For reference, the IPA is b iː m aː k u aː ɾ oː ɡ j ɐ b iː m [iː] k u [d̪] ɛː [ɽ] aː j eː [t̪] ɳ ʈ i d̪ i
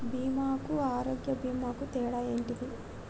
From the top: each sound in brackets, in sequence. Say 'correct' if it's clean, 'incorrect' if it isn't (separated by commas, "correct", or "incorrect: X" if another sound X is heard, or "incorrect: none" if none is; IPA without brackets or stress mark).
incorrect: aː, incorrect: t̪, correct, incorrect: none